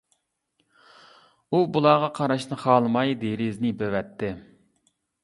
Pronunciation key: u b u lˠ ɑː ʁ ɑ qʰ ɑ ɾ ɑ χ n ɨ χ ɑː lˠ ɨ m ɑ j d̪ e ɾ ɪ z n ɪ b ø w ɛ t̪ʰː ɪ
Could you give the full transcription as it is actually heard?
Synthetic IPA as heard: u b u lˠ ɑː ʁ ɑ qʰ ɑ ɾ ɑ ʃ n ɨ χ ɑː lˠ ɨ m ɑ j d̪ e ɾ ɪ z n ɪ b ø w ɛ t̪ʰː ɪ